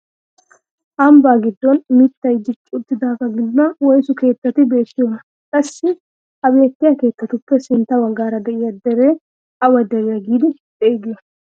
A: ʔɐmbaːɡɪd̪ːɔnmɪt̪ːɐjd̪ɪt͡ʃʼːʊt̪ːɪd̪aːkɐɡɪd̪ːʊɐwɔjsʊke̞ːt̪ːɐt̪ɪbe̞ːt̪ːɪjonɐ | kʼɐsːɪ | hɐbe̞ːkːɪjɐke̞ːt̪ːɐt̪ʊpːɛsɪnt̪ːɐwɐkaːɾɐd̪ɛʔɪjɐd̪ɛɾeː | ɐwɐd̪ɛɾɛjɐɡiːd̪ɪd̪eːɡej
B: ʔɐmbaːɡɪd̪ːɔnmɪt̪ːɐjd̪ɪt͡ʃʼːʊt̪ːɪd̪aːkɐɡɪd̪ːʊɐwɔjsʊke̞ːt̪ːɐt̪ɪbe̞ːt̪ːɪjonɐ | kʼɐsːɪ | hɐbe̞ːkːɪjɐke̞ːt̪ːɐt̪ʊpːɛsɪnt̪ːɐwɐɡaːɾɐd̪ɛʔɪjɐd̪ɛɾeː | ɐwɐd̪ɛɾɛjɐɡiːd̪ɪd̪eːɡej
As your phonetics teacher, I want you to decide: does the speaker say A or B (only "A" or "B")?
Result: B